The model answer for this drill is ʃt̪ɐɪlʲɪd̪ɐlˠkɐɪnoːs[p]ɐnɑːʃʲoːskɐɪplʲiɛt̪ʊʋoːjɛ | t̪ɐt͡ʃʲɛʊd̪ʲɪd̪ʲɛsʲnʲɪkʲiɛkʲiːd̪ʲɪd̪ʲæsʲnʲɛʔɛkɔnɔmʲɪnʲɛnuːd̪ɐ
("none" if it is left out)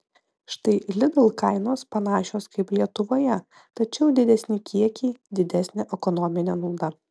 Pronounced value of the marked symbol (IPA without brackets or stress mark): p